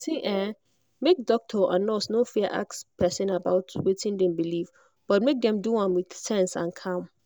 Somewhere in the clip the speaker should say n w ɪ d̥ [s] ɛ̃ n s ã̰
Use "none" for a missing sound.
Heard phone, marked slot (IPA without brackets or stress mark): s